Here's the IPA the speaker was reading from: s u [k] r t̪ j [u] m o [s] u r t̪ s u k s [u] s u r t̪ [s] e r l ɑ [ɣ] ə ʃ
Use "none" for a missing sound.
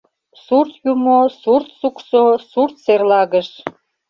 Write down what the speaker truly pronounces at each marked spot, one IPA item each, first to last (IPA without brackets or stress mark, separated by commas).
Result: none, u, s, o, s, ɣ